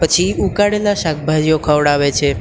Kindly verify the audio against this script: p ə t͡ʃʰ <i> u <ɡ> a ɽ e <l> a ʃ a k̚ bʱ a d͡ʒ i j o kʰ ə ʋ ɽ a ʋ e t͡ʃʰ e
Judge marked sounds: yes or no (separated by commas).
yes, no, yes